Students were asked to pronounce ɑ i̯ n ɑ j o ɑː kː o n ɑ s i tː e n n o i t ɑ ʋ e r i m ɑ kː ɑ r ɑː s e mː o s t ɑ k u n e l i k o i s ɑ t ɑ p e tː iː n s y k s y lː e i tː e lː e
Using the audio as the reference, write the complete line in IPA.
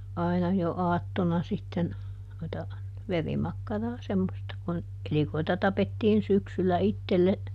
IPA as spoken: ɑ i̯ n ɑ j o ɑː tː o n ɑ s i tː e n n o i t ɑ ʋ e r i m ɑ kː ɑ r ɑː s e mː o s t ɑ k u n e l i k o i t ɑ t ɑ p e tː iː n s y k s y lː æ i tː e lː e